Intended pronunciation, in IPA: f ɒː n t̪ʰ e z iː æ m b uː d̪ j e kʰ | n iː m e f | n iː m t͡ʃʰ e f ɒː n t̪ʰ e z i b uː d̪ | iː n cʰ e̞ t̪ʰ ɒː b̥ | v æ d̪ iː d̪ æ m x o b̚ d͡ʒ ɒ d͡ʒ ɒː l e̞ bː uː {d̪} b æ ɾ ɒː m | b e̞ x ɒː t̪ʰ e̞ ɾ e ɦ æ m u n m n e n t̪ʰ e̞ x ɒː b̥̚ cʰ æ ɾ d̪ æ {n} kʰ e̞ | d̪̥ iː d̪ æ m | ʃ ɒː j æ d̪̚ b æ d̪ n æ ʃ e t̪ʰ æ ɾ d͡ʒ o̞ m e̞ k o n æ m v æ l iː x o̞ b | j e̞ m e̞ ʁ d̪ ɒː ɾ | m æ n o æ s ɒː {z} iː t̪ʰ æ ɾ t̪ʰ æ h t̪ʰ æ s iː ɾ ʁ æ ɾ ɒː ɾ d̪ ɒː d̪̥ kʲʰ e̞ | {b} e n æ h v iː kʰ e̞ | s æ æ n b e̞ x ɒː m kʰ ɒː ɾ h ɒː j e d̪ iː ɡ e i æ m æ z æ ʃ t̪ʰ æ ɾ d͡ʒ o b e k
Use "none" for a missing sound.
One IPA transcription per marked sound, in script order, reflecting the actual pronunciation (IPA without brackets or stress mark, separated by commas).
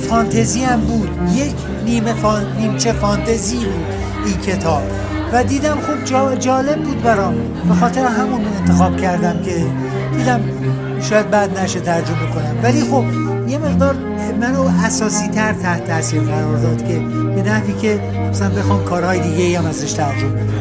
d̪, m, s, b